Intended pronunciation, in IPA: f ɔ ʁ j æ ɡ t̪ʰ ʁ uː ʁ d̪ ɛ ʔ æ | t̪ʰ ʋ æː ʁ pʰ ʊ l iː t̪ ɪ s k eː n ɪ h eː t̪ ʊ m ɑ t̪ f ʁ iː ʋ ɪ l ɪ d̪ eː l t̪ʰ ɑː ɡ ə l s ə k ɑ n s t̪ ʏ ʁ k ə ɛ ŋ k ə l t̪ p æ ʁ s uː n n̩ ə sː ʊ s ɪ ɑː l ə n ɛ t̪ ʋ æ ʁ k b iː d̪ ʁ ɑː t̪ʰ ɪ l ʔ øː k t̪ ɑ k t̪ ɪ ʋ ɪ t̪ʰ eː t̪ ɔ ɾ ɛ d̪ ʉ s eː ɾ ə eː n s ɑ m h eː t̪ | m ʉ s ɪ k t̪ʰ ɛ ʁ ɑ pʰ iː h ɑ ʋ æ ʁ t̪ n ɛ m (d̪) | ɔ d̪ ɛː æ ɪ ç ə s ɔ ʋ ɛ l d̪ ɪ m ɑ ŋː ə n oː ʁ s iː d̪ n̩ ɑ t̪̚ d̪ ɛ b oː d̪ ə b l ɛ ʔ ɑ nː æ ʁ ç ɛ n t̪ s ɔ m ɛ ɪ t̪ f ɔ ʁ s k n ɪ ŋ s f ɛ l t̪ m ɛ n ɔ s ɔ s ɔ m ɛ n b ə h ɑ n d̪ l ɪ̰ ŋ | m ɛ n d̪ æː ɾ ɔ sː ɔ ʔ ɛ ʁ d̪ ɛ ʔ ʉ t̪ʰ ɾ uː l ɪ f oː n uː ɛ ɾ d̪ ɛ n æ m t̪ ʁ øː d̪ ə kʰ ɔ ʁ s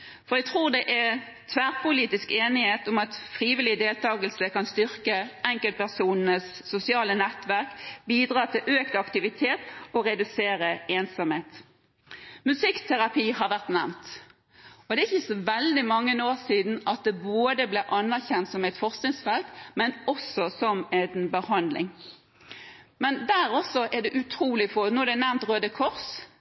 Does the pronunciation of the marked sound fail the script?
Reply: yes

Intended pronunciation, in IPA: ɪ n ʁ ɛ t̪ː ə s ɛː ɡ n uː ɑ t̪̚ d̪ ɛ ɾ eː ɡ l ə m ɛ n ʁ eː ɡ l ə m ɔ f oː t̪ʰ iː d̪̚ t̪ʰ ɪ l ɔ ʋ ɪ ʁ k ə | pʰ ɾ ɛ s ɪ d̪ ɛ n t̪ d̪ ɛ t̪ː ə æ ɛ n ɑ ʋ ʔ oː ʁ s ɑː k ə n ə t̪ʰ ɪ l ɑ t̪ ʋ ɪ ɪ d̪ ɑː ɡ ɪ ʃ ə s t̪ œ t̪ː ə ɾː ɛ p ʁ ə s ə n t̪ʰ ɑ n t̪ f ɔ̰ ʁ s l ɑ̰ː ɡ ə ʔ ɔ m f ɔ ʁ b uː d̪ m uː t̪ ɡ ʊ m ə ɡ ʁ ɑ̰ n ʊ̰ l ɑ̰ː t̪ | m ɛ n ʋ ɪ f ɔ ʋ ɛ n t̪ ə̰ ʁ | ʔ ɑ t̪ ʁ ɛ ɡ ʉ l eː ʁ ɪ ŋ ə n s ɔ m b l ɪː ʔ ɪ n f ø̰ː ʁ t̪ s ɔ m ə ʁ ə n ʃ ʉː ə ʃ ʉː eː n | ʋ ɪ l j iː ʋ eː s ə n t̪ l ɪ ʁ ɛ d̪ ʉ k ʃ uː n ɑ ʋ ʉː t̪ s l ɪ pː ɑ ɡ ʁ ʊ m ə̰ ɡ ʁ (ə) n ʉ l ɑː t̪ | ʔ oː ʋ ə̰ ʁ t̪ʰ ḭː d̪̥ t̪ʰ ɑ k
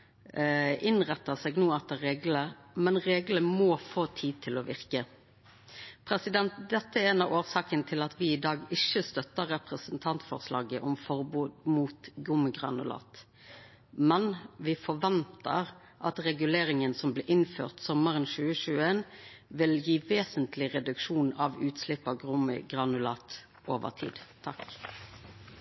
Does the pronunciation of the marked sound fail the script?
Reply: yes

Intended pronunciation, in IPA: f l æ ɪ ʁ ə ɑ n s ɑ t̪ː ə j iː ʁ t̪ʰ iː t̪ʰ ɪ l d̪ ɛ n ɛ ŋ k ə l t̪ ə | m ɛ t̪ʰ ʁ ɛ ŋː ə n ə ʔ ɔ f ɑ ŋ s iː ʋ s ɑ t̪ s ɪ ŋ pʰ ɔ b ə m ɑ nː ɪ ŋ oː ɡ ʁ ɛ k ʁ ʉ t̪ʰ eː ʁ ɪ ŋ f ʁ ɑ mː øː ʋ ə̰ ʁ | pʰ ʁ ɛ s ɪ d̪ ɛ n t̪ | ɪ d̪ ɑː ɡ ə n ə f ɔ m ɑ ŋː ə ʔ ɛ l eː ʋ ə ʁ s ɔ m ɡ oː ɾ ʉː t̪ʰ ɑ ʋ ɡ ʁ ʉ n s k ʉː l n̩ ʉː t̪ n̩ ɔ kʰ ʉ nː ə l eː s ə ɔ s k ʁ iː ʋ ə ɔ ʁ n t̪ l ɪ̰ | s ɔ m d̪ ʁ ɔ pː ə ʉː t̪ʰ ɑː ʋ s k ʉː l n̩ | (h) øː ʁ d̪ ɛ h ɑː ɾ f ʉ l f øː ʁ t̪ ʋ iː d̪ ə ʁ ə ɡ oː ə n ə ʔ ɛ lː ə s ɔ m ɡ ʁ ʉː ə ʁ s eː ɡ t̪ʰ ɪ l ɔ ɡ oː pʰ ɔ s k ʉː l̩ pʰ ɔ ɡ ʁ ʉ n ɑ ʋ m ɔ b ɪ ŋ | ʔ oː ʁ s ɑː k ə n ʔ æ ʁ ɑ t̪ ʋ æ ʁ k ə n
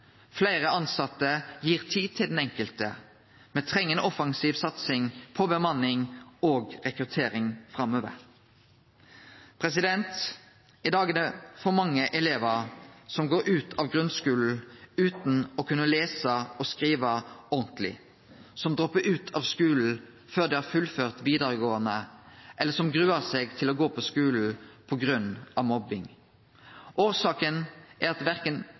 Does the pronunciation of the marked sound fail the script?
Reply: yes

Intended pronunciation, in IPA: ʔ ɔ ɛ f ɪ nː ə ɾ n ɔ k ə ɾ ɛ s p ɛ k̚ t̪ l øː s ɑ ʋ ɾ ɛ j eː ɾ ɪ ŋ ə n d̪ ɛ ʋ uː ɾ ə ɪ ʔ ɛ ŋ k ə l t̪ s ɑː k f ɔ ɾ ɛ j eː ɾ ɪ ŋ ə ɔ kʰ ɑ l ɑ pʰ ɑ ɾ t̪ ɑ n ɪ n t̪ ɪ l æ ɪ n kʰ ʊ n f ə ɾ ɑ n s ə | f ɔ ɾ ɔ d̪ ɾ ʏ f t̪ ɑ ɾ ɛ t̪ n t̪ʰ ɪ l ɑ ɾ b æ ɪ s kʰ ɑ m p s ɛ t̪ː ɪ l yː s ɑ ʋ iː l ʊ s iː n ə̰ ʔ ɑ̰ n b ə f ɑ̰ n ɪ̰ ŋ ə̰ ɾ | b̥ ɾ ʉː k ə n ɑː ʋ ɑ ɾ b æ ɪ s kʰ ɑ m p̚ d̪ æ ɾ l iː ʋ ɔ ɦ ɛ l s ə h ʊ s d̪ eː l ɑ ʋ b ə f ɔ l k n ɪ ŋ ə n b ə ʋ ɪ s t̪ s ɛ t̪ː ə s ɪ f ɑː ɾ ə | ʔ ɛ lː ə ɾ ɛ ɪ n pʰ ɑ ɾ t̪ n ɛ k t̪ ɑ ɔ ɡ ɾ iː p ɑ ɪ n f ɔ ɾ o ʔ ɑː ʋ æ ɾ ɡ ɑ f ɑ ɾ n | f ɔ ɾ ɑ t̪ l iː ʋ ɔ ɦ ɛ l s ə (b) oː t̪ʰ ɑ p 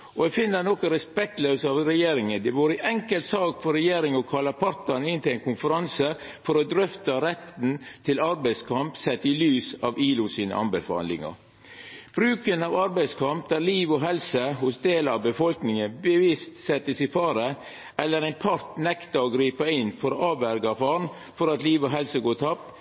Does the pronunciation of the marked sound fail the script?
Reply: yes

